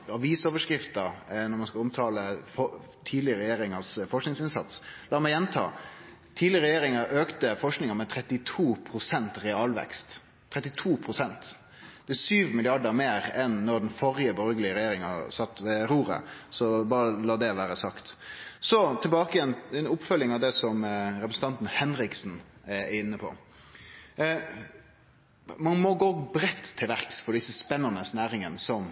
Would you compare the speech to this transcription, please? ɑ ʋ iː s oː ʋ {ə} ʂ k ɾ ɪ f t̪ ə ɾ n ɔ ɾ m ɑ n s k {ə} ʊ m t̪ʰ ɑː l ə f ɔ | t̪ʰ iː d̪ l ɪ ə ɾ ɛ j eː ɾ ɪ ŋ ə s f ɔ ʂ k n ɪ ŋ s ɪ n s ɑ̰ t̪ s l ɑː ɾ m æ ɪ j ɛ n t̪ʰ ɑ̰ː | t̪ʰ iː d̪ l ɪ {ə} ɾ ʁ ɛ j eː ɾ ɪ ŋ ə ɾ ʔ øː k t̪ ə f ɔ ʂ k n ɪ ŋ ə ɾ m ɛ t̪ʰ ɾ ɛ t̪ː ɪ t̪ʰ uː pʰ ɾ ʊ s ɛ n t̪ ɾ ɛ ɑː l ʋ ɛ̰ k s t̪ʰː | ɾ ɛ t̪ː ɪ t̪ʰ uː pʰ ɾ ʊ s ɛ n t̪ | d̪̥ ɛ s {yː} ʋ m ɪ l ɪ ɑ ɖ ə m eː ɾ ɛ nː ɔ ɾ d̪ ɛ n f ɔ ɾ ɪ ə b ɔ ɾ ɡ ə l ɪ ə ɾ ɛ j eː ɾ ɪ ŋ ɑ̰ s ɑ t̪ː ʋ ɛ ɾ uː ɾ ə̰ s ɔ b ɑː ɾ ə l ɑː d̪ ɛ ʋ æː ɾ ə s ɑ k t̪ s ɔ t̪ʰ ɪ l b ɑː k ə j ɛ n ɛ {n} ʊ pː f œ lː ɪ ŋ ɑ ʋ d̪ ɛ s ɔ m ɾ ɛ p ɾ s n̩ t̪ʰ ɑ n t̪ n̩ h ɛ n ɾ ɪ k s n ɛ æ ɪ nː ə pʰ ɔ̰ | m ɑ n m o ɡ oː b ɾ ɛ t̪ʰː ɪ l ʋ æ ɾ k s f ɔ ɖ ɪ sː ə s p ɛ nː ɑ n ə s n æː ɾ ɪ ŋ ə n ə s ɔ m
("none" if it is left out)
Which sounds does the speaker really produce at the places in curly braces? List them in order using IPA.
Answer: ə, ɑ, ə, yː, n

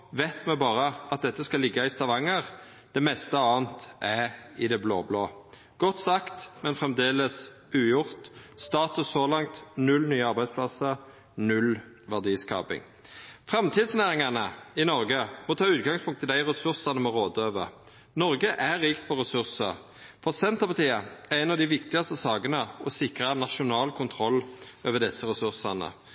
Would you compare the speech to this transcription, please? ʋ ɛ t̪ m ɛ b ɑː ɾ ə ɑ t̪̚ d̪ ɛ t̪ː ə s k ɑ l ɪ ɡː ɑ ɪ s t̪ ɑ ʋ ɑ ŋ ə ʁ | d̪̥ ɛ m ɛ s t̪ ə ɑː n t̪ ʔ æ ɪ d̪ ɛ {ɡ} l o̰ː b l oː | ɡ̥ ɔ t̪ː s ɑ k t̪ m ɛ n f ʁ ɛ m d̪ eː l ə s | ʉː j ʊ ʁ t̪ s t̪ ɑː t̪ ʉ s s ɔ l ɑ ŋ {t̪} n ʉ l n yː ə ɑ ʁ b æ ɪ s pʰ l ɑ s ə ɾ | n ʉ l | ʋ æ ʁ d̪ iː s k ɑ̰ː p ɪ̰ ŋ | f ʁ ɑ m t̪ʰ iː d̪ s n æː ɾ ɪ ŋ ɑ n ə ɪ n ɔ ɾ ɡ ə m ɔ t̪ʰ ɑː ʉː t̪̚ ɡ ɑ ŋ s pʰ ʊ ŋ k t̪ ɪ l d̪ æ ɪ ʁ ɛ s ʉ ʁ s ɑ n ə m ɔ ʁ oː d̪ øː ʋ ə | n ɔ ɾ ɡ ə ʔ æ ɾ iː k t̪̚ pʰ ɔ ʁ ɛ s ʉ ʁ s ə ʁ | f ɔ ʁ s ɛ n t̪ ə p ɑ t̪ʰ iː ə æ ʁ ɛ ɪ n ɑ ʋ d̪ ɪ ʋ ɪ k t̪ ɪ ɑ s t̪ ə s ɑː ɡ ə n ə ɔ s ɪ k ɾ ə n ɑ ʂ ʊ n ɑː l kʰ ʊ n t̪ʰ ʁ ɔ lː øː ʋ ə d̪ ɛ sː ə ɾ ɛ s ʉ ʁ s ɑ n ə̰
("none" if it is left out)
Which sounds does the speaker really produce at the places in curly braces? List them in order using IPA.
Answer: b, t̪

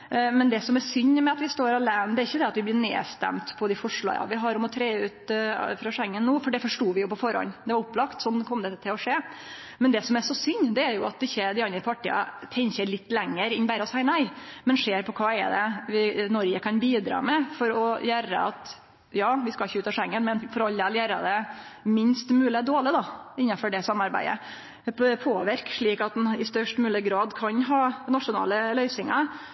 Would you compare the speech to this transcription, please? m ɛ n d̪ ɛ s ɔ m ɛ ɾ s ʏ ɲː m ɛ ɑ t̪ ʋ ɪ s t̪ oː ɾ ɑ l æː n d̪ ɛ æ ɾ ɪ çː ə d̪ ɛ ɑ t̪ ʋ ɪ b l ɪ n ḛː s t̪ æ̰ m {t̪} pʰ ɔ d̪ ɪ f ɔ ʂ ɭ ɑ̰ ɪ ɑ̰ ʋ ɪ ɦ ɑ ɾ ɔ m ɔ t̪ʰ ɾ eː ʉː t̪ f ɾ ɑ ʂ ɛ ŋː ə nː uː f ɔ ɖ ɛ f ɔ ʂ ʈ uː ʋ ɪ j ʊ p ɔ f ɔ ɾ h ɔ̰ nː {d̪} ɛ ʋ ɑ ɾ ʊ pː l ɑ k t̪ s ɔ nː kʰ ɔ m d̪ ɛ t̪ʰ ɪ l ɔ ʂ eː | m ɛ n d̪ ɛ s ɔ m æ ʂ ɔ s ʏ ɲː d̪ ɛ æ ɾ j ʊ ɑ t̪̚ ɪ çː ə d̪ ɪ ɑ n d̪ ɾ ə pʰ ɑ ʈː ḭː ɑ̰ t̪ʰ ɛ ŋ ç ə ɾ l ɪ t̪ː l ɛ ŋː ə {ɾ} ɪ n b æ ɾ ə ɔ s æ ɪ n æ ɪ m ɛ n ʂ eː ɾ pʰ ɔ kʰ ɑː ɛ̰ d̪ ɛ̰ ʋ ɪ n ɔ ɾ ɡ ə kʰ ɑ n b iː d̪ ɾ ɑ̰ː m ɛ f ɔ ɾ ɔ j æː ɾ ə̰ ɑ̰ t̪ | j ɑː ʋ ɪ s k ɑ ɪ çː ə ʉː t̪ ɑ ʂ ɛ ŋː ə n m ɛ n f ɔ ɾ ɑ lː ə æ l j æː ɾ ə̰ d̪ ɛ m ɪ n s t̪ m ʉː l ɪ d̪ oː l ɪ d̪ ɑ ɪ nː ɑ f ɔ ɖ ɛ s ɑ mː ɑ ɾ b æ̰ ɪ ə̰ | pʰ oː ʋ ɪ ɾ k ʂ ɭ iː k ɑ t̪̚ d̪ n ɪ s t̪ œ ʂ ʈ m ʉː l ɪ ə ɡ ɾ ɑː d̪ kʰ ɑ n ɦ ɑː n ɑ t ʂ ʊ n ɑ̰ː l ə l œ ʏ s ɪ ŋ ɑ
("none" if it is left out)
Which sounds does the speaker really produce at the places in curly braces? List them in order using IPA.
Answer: t̪, d̪, ɾ

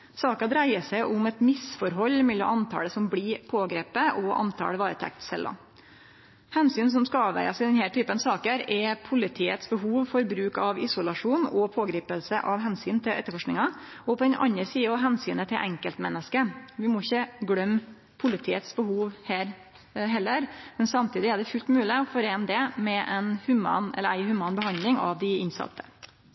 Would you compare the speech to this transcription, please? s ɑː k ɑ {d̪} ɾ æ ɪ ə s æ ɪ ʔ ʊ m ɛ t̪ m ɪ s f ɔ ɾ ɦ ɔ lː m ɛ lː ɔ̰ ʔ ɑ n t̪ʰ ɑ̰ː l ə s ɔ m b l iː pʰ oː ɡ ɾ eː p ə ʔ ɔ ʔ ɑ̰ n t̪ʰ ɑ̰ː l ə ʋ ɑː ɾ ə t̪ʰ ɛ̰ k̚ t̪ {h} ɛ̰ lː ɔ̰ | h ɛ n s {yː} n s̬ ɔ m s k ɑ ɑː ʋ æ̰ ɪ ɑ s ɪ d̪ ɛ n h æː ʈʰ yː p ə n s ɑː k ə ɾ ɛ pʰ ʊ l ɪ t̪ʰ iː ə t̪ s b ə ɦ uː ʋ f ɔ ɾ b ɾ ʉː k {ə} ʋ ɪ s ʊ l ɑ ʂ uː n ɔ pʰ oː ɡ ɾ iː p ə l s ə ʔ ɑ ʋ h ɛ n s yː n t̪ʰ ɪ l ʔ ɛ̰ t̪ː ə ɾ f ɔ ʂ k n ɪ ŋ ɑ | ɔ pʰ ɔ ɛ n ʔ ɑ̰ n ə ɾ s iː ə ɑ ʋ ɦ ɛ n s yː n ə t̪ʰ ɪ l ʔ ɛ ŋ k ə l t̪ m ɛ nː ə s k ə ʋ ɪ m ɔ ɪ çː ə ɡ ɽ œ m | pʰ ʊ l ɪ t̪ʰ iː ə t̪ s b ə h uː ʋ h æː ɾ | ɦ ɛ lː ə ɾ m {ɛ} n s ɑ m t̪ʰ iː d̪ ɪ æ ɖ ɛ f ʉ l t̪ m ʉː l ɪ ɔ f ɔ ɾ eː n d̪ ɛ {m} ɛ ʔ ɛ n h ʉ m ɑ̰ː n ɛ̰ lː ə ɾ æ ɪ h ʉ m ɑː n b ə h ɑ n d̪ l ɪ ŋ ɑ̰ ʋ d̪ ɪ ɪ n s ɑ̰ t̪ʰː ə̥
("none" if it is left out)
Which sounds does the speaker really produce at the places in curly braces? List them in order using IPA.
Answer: d̪, s, yː, ɑ, ɛ, m

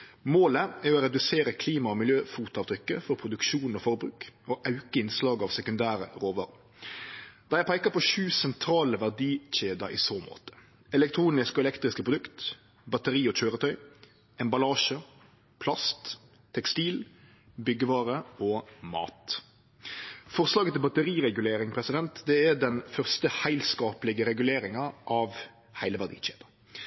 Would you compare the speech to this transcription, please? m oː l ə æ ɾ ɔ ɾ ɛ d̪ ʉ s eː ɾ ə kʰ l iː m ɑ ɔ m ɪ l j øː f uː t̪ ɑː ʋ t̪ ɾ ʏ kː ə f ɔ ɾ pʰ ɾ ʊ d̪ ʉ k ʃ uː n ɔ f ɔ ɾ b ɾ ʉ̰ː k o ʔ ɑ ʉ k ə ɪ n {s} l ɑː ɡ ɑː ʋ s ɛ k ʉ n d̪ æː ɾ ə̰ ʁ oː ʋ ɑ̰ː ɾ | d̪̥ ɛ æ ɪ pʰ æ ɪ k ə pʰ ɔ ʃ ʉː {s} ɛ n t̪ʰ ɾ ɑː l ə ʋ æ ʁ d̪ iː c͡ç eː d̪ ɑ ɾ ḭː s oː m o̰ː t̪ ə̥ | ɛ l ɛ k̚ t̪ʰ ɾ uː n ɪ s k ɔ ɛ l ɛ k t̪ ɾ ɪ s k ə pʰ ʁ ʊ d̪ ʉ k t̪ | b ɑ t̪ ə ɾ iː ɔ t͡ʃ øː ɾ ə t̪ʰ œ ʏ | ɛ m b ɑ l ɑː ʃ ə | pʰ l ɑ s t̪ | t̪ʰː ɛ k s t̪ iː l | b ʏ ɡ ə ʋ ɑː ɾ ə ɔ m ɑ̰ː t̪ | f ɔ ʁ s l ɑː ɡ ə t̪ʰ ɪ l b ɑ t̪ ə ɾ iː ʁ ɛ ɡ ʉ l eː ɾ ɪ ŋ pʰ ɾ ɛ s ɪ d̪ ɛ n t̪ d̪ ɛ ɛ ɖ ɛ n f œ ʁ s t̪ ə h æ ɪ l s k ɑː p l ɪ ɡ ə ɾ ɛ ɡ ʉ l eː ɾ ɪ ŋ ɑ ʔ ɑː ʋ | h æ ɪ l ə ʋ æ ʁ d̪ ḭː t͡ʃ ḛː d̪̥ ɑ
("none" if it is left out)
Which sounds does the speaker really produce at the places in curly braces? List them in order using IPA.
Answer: s, s

